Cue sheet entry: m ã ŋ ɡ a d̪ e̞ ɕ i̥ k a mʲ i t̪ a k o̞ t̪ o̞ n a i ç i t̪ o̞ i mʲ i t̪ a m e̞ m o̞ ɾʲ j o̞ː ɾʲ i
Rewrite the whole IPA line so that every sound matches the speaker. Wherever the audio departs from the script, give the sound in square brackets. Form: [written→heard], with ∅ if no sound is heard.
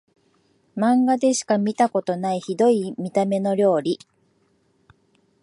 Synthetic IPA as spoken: m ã ŋ ɡ a d̪ e̞ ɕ i̥ k a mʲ i t̪ a k o̞ t̪ o̞ n a i ç i [t̪→d̪] o̞ i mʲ i t̪ a m e̞ [m→n] o̞ ɾʲ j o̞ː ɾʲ i